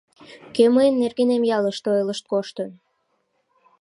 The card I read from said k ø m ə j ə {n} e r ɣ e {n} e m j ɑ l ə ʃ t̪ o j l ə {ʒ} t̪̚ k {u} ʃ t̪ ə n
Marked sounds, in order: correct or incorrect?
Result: incorrect: nː, correct, incorrect: ʃ, incorrect: o

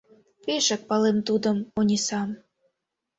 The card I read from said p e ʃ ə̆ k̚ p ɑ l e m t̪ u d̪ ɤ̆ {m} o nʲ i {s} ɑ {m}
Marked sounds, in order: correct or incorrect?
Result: correct, correct, correct

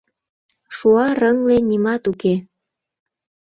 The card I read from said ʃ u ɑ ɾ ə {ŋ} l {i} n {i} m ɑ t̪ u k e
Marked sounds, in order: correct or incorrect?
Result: correct, incorrect: e, correct

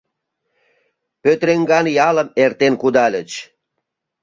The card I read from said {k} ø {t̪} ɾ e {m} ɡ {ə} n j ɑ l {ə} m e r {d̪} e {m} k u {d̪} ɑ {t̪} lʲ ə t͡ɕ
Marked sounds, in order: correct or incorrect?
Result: incorrect: p, correct, incorrect: ŋ, incorrect: ɑ, correct, incorrect: t̪, incorrect: n, correct, incorrect: none

